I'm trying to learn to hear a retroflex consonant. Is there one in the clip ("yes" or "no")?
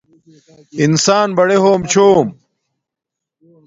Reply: yes